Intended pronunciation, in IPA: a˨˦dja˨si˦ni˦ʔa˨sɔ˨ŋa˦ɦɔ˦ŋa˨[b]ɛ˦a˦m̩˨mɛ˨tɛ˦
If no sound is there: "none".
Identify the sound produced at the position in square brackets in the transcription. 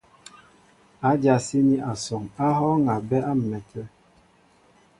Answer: b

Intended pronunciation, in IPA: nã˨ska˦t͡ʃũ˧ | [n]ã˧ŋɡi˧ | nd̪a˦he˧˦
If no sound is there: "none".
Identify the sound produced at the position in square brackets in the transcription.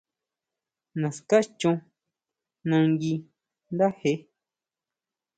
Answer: n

